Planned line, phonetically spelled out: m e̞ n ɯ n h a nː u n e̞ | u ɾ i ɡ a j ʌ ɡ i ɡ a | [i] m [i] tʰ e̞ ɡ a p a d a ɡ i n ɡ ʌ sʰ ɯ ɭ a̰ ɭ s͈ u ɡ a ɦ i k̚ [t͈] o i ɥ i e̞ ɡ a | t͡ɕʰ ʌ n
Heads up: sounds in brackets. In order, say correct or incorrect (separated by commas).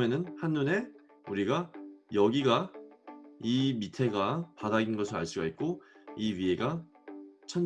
correct, correct, incorrect